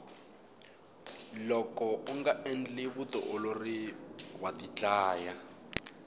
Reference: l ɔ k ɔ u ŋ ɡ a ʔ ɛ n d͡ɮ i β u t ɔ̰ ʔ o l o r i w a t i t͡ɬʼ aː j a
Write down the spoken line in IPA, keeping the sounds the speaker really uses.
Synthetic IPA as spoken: l ɔ k ɔ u ŋ ɡ a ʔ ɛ n d͡ɮ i β u t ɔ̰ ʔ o l o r i w a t i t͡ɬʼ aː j a